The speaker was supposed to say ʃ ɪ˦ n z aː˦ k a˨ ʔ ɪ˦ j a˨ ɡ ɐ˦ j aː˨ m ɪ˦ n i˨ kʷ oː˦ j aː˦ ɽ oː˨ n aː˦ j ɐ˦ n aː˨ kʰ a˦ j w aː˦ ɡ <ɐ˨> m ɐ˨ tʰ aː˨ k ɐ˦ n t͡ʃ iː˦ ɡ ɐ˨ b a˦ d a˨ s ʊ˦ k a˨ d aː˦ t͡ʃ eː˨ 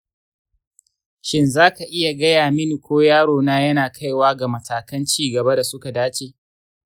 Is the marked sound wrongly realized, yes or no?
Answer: yes